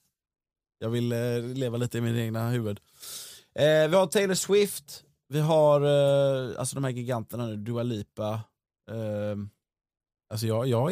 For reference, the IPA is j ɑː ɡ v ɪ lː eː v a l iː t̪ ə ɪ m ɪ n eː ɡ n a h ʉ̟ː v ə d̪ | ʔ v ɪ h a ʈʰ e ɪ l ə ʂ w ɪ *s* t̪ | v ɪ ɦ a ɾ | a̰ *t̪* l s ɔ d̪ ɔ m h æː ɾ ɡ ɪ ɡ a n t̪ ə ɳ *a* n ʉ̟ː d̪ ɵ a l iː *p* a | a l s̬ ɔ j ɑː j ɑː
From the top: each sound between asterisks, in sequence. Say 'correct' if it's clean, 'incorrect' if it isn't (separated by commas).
incorrect, incorrect, correct, correct